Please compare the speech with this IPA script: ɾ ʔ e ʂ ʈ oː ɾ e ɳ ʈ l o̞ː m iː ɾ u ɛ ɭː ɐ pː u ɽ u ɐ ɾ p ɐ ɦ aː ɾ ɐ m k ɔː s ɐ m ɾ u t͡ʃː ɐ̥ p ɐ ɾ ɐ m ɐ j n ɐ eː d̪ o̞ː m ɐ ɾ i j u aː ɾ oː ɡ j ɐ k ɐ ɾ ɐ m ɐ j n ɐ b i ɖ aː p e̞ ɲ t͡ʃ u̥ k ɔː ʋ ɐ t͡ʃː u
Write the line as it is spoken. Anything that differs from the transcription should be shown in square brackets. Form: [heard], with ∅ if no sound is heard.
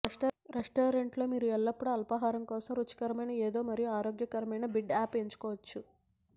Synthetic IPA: ɾ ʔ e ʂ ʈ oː ɾ e ɳ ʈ l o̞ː m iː ɾ u ɛ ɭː ɐ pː u ɽ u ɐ [l] p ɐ ɦ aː ɾ ɐ m k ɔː s ɐ m ɾ u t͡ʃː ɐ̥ [k] ɐ ɾ ɐ m ɐ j n ɐ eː d̪ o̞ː m ɐ ɾ i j u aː ɾ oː ɡ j ɐ k ɐ ɾ ɐ m ɐ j n ɐ b i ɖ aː p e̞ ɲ t͡ʃ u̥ k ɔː ʋ ɐ t͡ʃː u